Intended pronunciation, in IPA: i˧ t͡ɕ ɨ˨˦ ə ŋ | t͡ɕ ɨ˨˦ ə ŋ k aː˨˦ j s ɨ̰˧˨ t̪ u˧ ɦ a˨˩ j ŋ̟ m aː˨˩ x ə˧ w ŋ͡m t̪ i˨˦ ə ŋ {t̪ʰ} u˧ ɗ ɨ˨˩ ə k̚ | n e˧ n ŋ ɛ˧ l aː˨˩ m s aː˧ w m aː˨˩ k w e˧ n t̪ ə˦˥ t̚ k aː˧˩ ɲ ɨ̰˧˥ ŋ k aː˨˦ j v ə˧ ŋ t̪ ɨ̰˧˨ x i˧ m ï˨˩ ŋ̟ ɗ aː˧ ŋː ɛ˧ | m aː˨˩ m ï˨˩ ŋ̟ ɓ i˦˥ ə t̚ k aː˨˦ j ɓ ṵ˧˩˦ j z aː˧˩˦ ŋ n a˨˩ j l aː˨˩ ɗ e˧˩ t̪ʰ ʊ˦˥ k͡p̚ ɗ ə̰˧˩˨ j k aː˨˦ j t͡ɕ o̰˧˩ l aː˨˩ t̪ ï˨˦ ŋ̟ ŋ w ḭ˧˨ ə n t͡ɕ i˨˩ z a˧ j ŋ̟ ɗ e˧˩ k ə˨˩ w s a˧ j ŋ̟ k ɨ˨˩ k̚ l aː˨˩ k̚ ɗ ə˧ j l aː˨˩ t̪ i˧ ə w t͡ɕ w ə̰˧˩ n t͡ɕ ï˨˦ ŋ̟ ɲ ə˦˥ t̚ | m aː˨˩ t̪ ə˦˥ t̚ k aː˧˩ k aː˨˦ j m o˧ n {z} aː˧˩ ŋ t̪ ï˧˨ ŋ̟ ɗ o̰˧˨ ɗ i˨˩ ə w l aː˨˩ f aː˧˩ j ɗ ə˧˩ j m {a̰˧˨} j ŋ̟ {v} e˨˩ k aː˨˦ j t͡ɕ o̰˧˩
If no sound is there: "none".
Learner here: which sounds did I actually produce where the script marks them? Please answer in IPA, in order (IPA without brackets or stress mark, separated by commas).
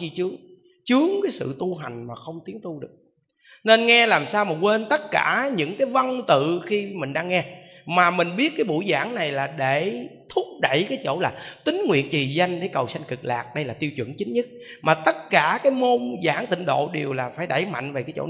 t̪, z, a̰˧˨, v